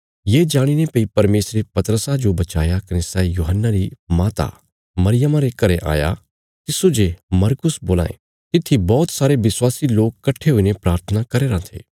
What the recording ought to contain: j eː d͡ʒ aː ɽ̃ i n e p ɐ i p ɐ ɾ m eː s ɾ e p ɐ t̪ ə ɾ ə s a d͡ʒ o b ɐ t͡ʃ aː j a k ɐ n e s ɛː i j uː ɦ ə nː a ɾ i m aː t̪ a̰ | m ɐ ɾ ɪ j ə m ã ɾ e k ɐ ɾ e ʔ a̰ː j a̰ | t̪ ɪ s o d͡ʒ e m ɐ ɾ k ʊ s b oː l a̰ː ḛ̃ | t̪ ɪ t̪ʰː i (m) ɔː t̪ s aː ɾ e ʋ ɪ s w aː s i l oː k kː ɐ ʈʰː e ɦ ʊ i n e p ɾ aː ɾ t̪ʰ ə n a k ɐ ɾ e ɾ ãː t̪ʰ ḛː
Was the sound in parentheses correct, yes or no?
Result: no